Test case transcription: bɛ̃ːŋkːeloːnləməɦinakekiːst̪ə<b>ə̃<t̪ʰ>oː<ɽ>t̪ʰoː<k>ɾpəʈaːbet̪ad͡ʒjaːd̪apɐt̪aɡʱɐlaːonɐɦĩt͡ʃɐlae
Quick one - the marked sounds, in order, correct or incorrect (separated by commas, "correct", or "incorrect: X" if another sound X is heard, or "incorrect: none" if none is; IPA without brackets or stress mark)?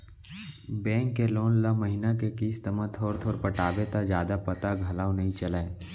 incorrect: m, correct, incorrect: ɾ, incorrect: none